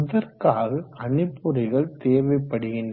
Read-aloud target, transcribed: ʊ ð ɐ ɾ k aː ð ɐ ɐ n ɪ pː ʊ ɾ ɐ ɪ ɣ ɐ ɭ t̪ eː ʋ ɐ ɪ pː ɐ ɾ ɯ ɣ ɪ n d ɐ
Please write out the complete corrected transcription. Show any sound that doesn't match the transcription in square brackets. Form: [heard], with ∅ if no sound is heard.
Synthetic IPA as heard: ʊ ð ɐ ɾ k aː [ɣ] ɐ ɐ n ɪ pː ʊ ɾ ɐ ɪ ɣ ɐ ɭ t̪ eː ʋ ɐ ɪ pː ɐ [ɽ] ɯ ɣ ɪ n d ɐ